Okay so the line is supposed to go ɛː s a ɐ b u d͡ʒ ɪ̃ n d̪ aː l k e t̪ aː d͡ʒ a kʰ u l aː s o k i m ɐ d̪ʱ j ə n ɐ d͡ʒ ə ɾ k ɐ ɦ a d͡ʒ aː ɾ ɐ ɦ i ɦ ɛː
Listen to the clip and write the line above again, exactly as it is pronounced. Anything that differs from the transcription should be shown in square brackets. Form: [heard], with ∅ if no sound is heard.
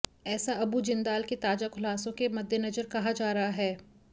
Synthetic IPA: ɛː s a ɐ b u d͡ʒ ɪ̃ n d̪ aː l k e t̪ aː d͡ʒ a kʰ [ʊ] l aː s [õ] k [e] m ɐ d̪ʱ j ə n ɐ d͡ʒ ə ɾ k ɐ ɦ a d͡ʒ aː ɾ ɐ ɦ [a] ɦ ɛː